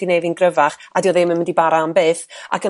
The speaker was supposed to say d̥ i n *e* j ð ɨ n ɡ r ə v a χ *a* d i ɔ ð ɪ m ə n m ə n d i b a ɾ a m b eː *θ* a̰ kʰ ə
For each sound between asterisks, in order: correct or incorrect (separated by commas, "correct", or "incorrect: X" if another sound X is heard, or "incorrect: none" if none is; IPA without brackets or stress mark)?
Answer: correct, correct, correct